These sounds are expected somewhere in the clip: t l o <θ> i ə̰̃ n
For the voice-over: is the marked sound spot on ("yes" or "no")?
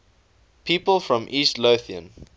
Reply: yes